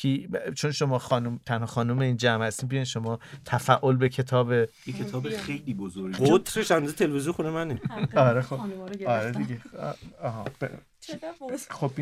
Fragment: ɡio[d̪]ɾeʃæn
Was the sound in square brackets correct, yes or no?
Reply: no